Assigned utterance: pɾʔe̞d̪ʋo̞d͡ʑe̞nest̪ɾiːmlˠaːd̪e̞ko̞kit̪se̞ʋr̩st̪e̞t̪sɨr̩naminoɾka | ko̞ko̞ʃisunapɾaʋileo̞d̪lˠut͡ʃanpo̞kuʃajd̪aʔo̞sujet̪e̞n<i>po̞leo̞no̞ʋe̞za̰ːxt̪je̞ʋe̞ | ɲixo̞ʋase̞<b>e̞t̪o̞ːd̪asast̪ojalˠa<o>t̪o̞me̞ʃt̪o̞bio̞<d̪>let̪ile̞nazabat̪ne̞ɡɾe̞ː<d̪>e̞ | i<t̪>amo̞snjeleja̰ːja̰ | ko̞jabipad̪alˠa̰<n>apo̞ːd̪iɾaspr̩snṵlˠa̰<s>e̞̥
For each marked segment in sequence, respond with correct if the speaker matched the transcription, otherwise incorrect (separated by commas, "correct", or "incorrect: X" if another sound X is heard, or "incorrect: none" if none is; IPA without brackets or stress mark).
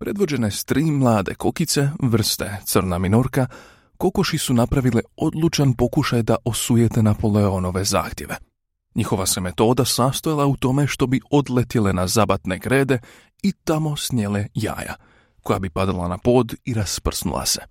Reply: incorrect: a, incorrect: m, incorrect: u, correct, correct, correct, correct, correct